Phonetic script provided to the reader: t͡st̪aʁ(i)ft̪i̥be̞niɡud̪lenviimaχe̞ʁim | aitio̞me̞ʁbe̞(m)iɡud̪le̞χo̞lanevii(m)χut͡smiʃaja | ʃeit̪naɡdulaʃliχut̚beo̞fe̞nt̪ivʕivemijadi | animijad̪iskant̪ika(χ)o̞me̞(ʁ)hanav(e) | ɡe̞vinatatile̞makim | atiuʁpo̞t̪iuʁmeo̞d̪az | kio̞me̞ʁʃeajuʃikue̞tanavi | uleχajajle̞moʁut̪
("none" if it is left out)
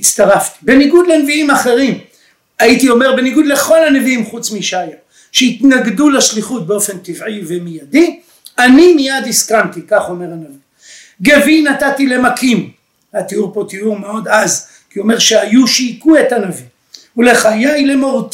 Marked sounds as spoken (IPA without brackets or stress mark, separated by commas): a, n, m, χ, ʁ, i